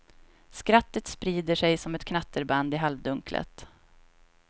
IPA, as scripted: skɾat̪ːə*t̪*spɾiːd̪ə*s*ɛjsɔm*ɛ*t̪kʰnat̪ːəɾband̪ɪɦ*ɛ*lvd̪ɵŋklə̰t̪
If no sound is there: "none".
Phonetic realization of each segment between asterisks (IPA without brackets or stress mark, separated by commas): t̪, ʂ, ɛ, a